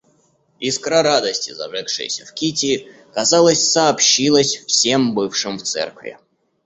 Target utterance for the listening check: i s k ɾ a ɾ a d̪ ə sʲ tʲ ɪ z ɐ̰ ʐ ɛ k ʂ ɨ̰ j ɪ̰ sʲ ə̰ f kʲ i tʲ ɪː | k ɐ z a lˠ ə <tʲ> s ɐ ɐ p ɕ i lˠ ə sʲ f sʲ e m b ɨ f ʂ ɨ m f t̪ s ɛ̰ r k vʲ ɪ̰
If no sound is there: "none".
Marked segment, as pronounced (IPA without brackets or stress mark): sʲ